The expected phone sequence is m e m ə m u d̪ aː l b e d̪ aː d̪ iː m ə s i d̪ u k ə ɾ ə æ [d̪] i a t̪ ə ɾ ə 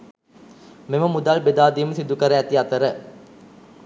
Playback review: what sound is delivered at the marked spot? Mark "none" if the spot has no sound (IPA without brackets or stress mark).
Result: t̪